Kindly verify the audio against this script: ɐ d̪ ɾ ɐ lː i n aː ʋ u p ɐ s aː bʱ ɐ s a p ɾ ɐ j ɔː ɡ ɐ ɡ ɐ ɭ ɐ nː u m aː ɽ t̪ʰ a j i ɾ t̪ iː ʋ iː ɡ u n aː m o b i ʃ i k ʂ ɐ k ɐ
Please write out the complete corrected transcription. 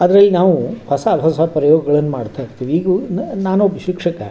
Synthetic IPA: ɐ d̪ ɾ ɐ lː i n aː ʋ u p ɐ s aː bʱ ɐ s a p ɾ ɐ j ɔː ɡ ɐ ɡ ɐ ɭ ɐ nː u m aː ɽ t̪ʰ a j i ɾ t̪ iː ʋ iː ɡ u n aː n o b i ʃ i k ʂ ɐ k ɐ